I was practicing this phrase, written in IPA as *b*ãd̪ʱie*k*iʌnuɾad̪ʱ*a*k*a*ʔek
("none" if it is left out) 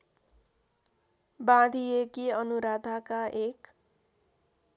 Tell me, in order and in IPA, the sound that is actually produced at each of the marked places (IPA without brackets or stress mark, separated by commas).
b, k, a, a